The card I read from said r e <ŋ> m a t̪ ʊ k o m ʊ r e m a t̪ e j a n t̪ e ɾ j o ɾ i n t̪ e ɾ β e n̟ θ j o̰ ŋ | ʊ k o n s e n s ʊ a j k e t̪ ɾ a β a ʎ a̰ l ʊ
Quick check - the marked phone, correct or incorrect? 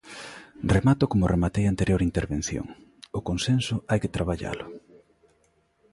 incorrect: none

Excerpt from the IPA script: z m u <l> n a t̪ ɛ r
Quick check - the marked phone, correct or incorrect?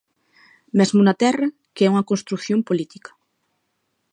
incorrect: none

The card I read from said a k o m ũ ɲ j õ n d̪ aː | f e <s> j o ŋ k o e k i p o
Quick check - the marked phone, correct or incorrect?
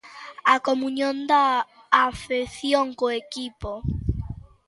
incorrect: θ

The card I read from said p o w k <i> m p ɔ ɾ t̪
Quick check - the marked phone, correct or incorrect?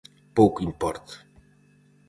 correct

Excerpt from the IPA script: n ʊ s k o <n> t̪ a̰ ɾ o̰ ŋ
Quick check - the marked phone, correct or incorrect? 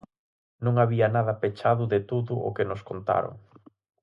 correct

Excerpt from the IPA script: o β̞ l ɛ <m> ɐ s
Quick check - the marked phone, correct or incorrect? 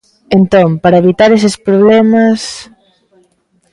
correct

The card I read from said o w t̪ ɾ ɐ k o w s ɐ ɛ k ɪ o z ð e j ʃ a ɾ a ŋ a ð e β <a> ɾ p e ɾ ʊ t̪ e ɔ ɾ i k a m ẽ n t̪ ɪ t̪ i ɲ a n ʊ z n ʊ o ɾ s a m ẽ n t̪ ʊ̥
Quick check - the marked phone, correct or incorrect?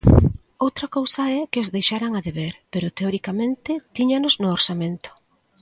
incorrect: e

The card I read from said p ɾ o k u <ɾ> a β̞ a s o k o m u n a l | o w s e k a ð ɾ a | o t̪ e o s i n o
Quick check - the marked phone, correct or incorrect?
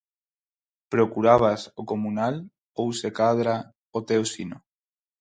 correct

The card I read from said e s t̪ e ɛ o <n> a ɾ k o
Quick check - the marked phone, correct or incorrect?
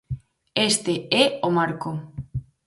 incorrect: m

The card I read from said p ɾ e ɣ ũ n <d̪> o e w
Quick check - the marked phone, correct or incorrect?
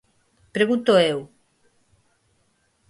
incorrect: t̪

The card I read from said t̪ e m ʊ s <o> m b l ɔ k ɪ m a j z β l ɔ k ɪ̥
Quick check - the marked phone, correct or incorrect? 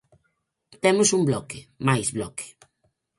incorrect: u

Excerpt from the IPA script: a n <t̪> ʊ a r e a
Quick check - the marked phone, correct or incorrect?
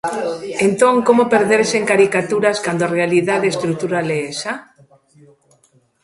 incorrect: d̪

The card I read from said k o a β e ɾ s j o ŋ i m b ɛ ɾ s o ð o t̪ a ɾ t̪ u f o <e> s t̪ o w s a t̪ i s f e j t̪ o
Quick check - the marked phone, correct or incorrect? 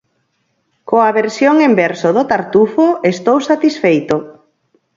correct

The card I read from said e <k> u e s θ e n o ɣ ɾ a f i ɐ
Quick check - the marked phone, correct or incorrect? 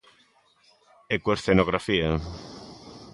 correct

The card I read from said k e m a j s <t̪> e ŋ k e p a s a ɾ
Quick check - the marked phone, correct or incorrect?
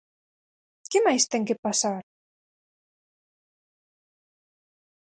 correct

